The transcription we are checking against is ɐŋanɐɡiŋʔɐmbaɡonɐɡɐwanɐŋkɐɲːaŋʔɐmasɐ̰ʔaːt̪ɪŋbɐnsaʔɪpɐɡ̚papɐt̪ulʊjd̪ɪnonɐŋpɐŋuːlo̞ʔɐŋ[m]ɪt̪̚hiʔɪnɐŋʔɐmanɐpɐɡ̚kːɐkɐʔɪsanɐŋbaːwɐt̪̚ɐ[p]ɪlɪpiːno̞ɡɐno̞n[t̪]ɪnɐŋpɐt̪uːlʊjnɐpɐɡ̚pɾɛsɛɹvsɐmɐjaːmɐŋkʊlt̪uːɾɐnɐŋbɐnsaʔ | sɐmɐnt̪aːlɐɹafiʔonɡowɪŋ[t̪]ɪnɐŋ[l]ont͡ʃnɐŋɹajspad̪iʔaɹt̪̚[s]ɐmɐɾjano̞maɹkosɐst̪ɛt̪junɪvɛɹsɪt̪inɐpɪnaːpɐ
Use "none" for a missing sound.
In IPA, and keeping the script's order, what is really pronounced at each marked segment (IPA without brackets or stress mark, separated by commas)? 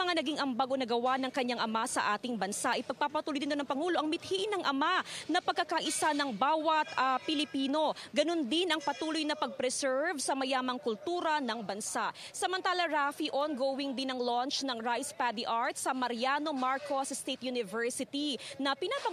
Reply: m, p, d̪, d̪, l, s